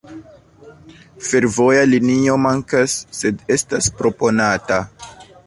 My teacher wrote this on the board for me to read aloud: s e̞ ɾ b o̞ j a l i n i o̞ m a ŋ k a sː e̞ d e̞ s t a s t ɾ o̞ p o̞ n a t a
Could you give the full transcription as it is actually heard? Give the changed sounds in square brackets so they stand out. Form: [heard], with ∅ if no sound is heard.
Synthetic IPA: [f] e̞ ɾ [v] o̞ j a l i n i o̞ m a ŋ k a sː e̞ d e̞ s t a s [p] ɾ o̞ p o̞ n a t a